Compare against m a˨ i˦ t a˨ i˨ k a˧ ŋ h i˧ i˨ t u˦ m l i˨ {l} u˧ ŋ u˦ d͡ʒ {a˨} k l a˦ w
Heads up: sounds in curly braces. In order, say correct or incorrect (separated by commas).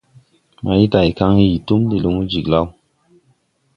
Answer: correct, incorrect